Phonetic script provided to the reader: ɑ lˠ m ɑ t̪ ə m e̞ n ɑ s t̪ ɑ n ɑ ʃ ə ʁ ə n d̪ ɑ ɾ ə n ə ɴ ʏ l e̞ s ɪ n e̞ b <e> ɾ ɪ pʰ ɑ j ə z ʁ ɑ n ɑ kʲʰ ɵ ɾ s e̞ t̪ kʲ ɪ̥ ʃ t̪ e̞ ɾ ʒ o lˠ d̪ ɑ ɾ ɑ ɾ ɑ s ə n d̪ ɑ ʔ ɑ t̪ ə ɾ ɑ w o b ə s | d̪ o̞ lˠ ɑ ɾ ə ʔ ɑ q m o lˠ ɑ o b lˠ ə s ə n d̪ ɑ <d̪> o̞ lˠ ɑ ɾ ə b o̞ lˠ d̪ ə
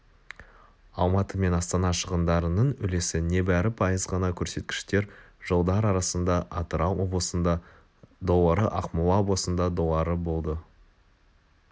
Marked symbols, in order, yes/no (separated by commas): no, yes